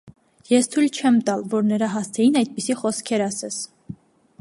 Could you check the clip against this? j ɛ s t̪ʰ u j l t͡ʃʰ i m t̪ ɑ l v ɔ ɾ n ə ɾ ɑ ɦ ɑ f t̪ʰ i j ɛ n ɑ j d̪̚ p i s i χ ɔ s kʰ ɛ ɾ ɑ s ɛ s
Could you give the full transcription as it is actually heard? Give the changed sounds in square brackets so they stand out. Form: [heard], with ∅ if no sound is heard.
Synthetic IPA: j ɛ s t̪ʰ u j l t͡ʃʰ [ɛ] m t̪ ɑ l v ɔ ɾ n ə ɾ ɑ ɦ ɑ [s] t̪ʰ [ɛ] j [i] n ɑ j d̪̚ p i s i χ ɔ s kʰ ɛ ɾ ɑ s ɛ s